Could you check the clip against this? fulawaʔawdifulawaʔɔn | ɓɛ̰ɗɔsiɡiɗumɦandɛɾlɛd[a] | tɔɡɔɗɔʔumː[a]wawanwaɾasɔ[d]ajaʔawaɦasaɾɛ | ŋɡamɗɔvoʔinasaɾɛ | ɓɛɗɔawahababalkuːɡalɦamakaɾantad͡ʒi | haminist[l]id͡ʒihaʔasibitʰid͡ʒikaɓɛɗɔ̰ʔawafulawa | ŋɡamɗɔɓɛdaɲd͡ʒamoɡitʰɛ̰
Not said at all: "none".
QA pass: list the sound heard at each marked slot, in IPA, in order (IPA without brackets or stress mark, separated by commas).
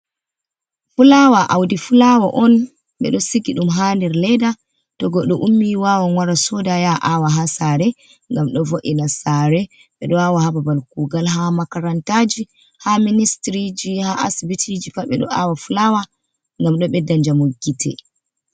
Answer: a, i, d, ɾ